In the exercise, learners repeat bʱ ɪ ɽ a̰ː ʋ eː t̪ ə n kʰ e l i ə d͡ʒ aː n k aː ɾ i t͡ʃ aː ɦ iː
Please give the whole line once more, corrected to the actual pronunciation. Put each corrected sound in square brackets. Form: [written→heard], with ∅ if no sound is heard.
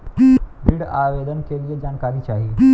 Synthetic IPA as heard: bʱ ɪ ɽ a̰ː ʋ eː [t̪→d̪] ə n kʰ e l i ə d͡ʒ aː n k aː ɾ i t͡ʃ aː ɦ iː

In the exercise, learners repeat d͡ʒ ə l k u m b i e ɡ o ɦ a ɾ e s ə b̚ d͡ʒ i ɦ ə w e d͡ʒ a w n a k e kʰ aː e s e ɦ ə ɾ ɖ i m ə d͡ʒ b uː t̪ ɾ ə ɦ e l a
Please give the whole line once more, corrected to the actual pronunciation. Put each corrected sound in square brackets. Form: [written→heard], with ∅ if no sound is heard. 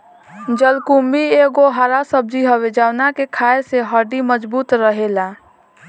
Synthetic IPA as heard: d͡ʒ ə l k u m b i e ɡ o ɦ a ɾ [e→a] s ə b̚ d͡ʒ i ɦ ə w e d͡ʒ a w n a k e kʰ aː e s e ɦ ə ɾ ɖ i m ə d͡ʒ b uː t̪ ɾ ə ɦ e l a

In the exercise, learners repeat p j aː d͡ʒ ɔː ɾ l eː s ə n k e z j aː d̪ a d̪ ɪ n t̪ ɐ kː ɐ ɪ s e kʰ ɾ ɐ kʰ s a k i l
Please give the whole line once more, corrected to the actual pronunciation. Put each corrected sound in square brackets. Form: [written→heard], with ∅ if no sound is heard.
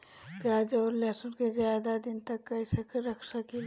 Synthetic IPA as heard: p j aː d͡ʒ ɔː ɾ l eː s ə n k e z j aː d̪ a d̪ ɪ n t̪ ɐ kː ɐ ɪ s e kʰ ɾ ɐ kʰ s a k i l

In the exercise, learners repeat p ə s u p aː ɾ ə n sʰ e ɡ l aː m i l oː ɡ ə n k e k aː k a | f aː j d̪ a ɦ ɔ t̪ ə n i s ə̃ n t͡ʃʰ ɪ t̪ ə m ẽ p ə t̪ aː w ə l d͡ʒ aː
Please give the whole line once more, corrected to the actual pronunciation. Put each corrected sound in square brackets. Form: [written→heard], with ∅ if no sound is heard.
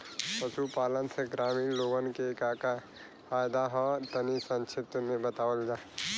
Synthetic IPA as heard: p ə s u p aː [ɾ→l] ə n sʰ e ɡ [l→ɾ] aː m i l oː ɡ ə n k e k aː k a | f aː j d̪ a ɦ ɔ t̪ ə n i s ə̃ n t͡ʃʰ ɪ t̪ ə m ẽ [p→b] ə t̪ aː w ə l d͡ʒ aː

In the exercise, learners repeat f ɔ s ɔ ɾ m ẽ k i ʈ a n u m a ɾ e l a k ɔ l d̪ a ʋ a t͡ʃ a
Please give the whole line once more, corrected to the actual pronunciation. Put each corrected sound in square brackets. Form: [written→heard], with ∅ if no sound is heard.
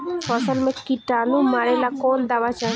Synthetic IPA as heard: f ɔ s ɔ [ɾ→l] m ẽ k i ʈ a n u m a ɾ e l a k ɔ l d̪ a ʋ a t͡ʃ a

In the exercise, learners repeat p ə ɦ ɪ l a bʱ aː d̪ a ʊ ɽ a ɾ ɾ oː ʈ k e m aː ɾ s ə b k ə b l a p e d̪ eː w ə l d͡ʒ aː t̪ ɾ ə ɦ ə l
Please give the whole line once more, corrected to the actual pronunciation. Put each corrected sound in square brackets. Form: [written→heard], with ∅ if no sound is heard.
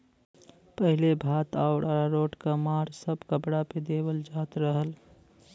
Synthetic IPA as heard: p ə ɦ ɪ l [a→e] bʱ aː [d̪→t̪] a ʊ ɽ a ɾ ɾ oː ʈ k [e→a] m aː ɾ s ə b k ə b [l→ɽ] a p e d̪ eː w ə l d͡ʒ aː t̪ ɾ ə ɦ ə l

